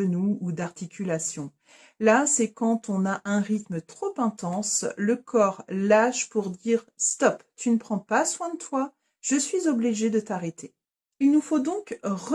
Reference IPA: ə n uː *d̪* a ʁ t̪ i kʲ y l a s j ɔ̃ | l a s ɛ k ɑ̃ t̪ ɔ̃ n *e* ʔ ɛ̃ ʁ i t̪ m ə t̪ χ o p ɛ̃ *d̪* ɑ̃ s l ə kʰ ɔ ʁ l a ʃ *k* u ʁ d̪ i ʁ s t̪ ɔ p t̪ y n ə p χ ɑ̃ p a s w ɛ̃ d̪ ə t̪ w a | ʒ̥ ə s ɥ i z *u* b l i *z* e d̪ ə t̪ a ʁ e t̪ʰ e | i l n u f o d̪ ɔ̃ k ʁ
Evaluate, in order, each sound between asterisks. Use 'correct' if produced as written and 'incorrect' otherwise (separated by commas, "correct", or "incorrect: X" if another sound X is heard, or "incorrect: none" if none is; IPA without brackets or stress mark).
correct, incorrect: a, incorrect: t̪, incorrect: p, incorrect: ɔ, incorrect: ʒ